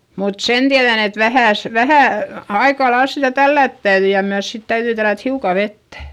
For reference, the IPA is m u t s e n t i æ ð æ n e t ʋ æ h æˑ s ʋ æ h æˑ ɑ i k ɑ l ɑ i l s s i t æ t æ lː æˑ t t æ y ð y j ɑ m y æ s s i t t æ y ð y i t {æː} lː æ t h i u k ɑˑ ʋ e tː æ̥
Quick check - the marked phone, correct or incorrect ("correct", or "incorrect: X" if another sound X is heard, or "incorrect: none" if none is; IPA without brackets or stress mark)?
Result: incorrect: æ